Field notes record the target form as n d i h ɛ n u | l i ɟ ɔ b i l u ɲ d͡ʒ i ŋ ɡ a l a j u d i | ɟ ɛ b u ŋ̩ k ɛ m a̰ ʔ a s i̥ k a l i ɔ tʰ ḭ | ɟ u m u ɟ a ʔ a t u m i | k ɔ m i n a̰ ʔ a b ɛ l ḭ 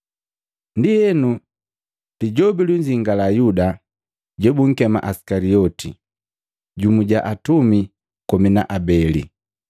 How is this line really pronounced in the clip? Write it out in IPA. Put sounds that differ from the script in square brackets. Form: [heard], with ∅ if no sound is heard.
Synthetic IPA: n d i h ɛ n u | l i ɟ ɔ b i l u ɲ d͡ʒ i ŋ ɡ a l a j u d [a] | ɟ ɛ b u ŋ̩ k ɛ m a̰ ʔ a s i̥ k a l i ɔ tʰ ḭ | ɟ u m u ɟ a ʔ a t u m i | k ɔ m i n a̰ ʔ a b ɛ l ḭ